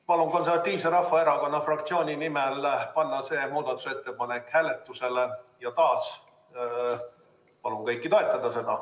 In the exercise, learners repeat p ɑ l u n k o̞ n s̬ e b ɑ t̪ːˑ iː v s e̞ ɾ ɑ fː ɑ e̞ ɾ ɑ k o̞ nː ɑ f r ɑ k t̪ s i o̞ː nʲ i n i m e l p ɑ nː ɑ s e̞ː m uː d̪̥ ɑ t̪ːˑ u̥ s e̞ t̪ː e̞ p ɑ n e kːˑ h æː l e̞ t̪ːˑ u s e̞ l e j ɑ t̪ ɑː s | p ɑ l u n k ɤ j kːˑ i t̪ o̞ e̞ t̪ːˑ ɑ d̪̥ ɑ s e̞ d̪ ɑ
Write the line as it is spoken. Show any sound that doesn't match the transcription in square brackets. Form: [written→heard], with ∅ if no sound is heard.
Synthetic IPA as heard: p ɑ l u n k o̞ n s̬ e [b→v] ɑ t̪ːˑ iː v s e̞ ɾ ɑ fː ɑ e̞ ɾ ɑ k o̞ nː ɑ f r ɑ k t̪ s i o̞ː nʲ i n i m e l p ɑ nː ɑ s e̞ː m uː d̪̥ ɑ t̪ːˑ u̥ s e̞ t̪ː e̞ p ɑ n e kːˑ h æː l e̞ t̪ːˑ u s e̞ l e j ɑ t̪ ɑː s | p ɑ l u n k ɤ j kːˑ i t̪ o̞ e̞ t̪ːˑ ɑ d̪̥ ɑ s e̞ d̪ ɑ